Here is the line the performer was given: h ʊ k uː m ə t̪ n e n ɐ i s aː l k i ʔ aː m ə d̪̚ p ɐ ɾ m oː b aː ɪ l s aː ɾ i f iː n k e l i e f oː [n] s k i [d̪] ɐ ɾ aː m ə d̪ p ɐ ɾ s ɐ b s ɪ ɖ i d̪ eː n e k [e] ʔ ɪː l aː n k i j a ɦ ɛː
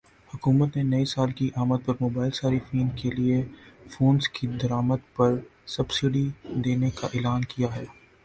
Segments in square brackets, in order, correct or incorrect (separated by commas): correct, correct, incorrect